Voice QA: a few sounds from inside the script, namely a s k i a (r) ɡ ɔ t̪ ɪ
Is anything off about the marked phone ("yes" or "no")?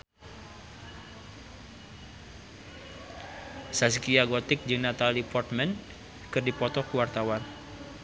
yes